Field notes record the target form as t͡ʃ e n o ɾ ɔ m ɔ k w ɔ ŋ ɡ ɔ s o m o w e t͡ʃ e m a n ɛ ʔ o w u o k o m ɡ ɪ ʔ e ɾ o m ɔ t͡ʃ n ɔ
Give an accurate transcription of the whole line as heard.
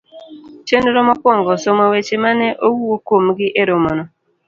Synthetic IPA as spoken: t͡ʃ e n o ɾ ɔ m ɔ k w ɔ ŋ ɡ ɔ s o m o w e t͡ʃ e m a n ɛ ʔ o w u o k o m ɡ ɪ ʔ e ɾ o m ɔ n ɔ

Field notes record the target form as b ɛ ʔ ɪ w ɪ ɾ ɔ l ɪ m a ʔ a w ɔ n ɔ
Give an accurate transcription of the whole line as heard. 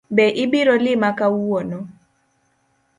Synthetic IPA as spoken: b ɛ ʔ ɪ b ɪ ɾ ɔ l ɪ m a k a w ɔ n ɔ

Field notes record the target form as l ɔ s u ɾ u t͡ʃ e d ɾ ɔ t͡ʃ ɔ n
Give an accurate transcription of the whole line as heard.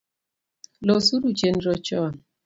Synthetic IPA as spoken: l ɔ s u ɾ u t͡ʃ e n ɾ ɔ t͡ʃ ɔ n

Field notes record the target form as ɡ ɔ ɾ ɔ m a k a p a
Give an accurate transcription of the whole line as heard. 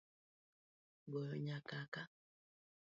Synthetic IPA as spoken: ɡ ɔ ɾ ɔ ɲ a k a k a

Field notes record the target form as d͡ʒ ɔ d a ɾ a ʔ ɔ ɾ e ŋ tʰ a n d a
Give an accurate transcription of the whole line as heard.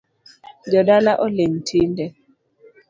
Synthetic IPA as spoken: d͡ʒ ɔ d a l a ʔ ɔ l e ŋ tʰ i n d ɛ

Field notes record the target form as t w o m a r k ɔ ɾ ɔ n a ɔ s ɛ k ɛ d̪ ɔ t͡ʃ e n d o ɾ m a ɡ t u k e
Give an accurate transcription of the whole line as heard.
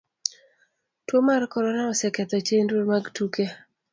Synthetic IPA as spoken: t w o m a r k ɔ ɾ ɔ n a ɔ s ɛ k ɛ t̪ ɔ t͡ʃ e n d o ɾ m a ɡ t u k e

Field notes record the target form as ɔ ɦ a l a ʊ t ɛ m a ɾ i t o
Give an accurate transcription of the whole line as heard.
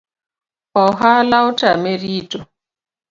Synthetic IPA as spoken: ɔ ɦ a l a ʊ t a m e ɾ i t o

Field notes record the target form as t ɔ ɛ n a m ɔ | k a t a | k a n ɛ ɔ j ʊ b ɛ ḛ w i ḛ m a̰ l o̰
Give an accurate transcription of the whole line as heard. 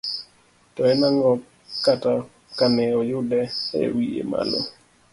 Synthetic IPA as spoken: t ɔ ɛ n a ŋ ɔ | k a t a | k a n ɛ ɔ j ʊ d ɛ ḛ w i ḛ m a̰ l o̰

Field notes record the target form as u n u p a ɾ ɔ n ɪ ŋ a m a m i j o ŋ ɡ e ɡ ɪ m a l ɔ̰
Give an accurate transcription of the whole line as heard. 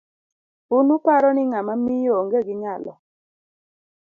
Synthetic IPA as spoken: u n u p a ɾ ɔ n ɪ ŋ a m a m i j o ŋ ɡ e ɡ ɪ ɲ a l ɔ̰

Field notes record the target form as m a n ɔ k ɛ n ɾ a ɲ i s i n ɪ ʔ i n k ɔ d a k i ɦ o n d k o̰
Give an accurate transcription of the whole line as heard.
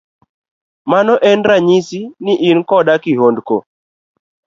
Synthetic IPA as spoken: m a n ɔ ʔ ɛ n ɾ a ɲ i s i n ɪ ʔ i n k ɔ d a k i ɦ o n d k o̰

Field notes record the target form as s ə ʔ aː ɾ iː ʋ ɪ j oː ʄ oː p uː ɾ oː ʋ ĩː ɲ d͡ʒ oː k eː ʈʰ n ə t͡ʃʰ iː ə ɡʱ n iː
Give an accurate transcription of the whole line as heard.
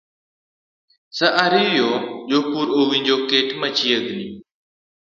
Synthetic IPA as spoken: s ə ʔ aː ɾ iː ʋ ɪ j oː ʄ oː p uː ɾ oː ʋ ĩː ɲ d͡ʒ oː k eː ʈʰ m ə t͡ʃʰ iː ə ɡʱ n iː

